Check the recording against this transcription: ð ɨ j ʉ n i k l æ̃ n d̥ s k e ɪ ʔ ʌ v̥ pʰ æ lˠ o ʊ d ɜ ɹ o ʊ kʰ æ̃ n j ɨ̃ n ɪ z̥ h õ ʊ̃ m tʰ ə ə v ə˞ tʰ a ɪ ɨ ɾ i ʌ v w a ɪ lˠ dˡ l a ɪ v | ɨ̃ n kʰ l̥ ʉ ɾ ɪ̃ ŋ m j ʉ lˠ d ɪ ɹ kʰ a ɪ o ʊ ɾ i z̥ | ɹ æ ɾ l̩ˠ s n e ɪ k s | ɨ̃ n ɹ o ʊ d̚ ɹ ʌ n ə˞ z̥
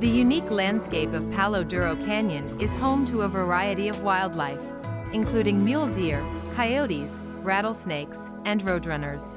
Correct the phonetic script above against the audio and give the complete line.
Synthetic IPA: ð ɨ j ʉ n i k l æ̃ n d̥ s k e ɪ p ʌ v̥ pʰ æ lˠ o ʊ d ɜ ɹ o ʊ kʰ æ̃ n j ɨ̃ n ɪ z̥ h õ ʊ̃ m tʰ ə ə v ə˞ a ɪ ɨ ɾ i ʌ v w a ɪ lˠ dˡ l a ɪ f | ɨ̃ n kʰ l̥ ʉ ɾ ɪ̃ ŋ m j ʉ lˠ d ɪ ɹ kʰ a ɪ o ʊ ɾ i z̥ | ɹ æ ɾ l̩ˠ s n e ɪ k s | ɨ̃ n ɹ o ʊ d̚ ɹ ʌ n ə˞ z̥